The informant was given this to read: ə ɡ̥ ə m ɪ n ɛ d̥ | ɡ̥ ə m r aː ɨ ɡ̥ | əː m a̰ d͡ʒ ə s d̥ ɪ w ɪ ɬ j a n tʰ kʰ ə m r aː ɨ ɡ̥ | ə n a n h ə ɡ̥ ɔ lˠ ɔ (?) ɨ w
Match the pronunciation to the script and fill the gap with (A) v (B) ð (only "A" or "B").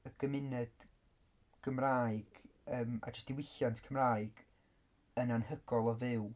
A